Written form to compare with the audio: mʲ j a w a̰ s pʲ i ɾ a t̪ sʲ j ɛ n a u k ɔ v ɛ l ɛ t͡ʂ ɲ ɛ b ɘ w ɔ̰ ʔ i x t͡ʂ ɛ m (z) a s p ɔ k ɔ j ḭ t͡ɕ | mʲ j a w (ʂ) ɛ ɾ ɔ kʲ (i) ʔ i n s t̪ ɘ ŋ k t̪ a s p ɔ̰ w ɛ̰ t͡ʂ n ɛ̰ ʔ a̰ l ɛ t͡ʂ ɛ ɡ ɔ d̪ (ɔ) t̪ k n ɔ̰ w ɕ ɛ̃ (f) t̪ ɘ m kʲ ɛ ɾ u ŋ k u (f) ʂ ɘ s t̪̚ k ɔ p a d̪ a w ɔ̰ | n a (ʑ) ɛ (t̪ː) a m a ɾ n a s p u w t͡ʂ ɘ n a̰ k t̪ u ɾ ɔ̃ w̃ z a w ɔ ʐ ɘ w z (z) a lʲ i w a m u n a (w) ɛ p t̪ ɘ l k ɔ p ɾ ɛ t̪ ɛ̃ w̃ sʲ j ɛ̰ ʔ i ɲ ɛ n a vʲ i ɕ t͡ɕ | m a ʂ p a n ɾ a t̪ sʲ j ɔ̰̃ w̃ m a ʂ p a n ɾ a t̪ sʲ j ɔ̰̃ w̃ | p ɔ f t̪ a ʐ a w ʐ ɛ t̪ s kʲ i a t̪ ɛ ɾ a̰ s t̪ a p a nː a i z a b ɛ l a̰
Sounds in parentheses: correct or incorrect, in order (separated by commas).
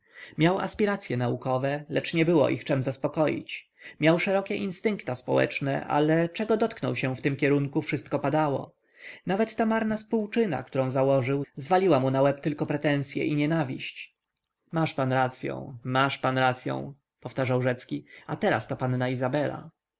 correct, correct, incorrect, correct, correct, correct, incorrect, correct, incorrect, correct